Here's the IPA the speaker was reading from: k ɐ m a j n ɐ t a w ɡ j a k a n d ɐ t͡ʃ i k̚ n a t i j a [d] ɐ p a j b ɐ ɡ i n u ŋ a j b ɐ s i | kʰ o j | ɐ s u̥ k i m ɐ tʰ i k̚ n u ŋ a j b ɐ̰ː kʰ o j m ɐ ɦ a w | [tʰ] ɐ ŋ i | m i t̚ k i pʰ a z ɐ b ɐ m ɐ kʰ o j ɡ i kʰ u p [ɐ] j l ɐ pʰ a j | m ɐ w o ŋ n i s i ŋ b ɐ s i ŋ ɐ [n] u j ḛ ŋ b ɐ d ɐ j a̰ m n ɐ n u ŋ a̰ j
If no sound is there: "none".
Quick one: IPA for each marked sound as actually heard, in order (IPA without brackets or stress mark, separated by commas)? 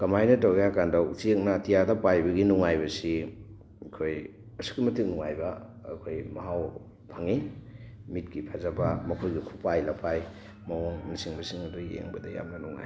d, pʰ, a, d